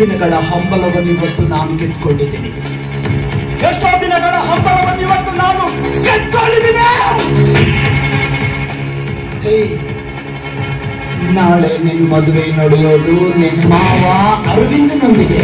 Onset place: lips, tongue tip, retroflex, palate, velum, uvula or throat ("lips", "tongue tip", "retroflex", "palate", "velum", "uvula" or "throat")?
tongue tip